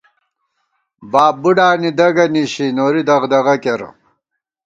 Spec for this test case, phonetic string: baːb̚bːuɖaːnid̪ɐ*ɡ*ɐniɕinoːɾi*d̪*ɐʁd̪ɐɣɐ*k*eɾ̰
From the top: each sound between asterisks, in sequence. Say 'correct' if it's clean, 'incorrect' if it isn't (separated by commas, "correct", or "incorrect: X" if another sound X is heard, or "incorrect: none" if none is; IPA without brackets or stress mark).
correct, correct, correct